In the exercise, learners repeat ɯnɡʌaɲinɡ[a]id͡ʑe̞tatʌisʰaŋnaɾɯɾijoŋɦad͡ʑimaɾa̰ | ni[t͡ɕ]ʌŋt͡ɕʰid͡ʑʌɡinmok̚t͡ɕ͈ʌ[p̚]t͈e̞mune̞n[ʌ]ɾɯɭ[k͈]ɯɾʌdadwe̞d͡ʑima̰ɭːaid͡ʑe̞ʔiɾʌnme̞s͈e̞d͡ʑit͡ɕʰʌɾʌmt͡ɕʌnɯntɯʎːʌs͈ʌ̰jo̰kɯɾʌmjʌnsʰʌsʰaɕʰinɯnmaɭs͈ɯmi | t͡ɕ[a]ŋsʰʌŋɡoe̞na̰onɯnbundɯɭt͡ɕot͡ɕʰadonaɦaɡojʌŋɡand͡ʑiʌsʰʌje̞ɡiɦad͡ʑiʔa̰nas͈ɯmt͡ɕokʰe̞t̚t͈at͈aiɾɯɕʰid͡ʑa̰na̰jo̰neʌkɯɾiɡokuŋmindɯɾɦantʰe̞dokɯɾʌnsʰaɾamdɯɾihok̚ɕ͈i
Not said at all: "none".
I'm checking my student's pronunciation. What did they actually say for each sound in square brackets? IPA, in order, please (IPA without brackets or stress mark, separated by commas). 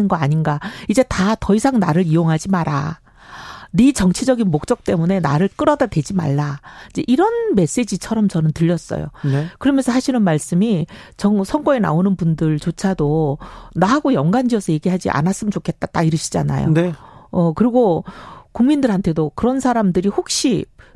a, t͡ɕ, k̚, a, k͈, ʌ